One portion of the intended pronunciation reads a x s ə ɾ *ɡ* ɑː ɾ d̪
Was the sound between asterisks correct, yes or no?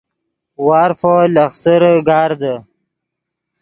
yes